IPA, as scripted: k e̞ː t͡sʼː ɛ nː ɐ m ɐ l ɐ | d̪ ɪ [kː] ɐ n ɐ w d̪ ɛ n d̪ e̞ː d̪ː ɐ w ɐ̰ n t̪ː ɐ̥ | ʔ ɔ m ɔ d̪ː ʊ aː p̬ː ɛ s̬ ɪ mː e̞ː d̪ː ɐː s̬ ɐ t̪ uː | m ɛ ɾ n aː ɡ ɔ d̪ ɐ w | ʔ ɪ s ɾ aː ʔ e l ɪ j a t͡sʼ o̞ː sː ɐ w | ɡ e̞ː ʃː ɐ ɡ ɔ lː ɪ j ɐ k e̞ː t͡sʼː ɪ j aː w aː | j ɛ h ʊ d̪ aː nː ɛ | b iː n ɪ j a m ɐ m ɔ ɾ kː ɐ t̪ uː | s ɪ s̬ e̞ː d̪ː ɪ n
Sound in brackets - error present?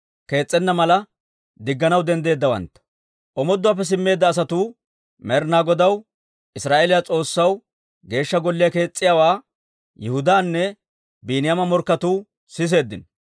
yes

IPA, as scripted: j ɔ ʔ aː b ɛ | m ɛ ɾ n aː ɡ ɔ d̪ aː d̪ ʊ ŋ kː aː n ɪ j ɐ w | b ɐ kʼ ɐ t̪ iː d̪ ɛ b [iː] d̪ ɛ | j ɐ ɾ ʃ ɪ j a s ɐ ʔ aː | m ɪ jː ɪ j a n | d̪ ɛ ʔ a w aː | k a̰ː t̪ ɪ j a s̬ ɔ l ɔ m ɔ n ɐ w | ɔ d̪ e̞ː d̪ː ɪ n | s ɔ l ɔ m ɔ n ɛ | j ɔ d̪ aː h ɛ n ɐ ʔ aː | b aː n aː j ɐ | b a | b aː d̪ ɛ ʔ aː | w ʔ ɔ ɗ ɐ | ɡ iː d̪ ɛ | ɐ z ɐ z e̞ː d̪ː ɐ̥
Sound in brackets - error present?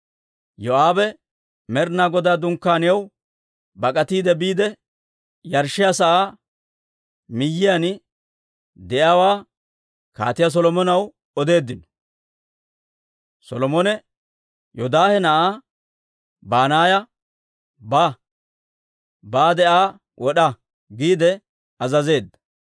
no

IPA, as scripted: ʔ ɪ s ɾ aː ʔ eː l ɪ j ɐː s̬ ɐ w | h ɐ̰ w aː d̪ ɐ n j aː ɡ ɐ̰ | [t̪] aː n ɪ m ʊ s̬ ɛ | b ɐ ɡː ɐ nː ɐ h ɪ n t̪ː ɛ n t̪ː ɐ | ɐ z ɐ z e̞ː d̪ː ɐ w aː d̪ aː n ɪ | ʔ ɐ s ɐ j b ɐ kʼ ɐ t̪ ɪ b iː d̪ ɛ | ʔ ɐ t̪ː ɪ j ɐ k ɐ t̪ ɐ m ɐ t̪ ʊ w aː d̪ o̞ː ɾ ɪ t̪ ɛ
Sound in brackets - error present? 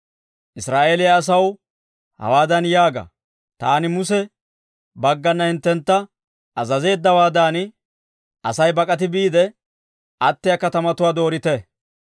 no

